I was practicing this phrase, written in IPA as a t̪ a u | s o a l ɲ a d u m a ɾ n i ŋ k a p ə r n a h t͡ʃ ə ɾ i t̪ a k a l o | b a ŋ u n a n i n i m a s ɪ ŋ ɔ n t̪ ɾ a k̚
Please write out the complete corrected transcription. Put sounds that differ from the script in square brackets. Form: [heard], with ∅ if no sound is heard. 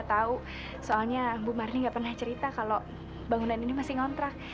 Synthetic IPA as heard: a t̪ a u | s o a l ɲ a [b] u m a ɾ n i ŋ [ɡ] a p ə r n a h t͡ʃ ə ɾ i t̪ a k a l o | b a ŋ u n a n i n i m a s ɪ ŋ ɔ n t̪ ɾ a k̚